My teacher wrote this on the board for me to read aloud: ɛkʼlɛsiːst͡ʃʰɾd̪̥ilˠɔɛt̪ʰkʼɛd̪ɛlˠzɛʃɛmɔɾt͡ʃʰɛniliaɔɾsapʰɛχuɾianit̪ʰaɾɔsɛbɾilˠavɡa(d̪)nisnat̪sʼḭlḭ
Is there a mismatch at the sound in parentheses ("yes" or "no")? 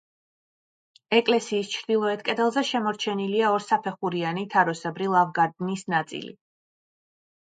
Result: no